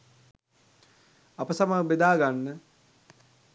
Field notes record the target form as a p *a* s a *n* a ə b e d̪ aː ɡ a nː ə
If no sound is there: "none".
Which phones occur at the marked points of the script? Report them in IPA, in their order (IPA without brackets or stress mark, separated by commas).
ə, m